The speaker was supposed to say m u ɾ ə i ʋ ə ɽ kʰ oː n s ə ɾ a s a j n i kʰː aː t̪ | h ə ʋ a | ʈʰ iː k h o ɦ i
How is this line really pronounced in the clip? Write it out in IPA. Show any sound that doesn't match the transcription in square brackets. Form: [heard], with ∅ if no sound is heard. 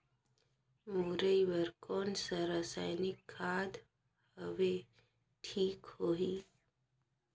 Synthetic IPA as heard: m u ɾ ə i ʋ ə [ɾ] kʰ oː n s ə ɾ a s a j n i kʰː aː [d̪] | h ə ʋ [e] | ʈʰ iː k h o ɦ i

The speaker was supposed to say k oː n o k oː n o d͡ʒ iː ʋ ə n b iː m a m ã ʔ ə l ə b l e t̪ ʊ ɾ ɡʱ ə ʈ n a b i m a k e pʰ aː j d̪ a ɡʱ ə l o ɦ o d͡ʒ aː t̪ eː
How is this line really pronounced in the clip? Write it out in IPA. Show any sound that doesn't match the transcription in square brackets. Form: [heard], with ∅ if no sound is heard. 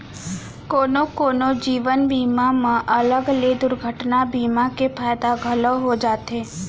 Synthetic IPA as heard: k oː n o k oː n o d͡ʒ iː ʋ ə n b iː m a m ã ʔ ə l ə [ɡ] l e [d̪] ʊ ɾ ɡʱ ə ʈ n a b i m a k e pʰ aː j d̪ a ɡʱ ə l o ɦ o d͡ʒ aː t̪ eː

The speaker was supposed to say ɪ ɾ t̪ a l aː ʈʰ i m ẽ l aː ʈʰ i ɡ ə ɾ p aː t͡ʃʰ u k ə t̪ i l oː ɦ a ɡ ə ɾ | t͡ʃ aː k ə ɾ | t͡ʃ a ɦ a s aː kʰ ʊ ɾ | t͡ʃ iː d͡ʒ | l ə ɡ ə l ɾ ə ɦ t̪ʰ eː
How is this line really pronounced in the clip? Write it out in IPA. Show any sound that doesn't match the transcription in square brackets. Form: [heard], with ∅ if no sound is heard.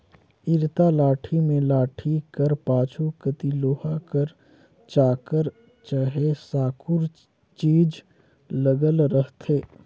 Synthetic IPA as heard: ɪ ɾ t̪ a l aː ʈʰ i m ẽ l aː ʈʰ i [k] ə ɾ p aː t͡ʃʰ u k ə t̪ i l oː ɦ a [k] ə ɾ | t͡ʃ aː k ə ɾ | t͡ʃ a ɦ [e] s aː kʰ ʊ ɾ | t͡ʃ iː d͡ʒ | l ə ɡ ə l ɾ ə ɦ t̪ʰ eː

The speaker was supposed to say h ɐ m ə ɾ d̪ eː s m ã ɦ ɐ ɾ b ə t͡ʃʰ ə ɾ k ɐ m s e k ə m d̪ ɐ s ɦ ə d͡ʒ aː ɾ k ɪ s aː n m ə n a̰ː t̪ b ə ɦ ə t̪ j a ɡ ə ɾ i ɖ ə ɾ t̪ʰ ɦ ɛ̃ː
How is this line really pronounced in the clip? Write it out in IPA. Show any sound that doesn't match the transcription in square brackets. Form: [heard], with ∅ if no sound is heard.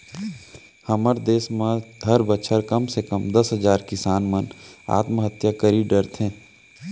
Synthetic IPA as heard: h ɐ m ə ɾ d̪ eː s m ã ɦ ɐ ɾ b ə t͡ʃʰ ə ɾ k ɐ m s e k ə m d̪ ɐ s ɦ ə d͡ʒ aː ɾ k ɪ s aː n m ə n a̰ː t̪ [m] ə ɦ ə t̪ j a [k] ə ɾ i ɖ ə ɾ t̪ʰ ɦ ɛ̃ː

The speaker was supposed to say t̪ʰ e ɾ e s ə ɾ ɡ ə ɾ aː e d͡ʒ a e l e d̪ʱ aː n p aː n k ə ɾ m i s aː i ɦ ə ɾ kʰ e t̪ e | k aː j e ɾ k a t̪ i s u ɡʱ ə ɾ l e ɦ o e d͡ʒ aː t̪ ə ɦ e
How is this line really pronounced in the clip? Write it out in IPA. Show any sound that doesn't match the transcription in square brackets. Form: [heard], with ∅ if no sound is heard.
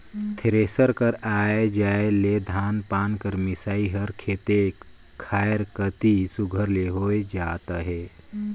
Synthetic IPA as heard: t̪ʰ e ɾ e s ə ɾ [k] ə ɾ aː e d͡ʒ a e l e d̪ʱ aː n p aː n k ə ɾ m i s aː i ɦ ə ɾ kʰ e t̪ e | [kʰ] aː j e ɾ k [ə] t̪ i s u ɡʱ ə ɾ l e ɦ o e d͡ʒ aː t̪ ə ɦ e

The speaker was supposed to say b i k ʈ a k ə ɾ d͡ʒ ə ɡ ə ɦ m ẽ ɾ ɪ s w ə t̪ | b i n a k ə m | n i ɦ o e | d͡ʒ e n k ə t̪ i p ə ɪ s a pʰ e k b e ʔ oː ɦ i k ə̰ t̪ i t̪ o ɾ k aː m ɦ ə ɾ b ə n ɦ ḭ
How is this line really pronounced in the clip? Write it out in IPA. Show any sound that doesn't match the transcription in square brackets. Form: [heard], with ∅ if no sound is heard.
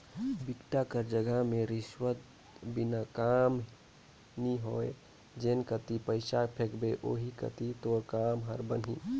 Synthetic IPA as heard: b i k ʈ a k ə ɾ d͡ʒ ə ɡ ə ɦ m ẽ ɾ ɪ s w ə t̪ | b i n a k [a] m | n i ɦ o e | d͡ʒ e n k ə t̪ i p ə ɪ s a pʰ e k b e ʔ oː ɦ i k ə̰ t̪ i t̪ o ɾ k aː m ɦ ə ɾ b ə n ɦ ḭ

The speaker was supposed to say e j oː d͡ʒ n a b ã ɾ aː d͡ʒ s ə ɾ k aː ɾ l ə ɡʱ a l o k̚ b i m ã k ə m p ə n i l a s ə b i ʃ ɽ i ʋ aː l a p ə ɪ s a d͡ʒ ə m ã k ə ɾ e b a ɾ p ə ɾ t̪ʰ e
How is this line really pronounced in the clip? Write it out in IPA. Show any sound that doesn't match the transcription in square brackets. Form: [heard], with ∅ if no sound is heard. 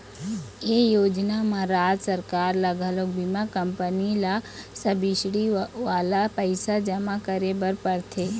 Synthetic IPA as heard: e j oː d͡ʒ n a [m] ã ɾ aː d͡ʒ s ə ɾ k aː ɾ l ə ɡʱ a l o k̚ b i m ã k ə m p ə n i l a s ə b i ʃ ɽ i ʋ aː l a p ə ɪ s a d͡ʒ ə m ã k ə ɾ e b [ə] ɾ p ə ɾ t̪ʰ e

